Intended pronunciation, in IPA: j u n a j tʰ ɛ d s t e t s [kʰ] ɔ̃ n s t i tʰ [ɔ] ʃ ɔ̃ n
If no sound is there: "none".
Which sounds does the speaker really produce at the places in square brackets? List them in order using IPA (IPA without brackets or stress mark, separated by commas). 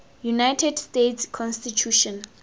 kʰ, u